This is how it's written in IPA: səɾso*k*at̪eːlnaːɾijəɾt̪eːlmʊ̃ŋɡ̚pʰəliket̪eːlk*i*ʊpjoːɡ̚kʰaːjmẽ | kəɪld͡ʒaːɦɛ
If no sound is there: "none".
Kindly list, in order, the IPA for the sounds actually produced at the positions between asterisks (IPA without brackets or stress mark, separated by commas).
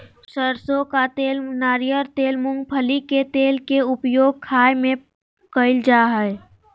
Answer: k, e